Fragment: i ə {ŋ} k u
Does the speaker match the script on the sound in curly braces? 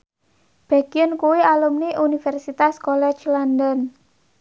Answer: no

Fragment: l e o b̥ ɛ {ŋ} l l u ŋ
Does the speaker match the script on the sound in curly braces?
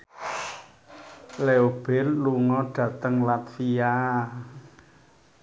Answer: no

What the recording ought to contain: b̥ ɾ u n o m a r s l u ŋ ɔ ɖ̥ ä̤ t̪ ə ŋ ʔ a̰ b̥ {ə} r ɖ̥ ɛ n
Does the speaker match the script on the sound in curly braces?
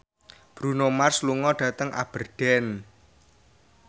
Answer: yes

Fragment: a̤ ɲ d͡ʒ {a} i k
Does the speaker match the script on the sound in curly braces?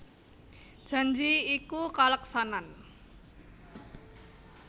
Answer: no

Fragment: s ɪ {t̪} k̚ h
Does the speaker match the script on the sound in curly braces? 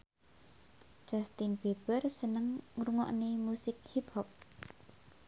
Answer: no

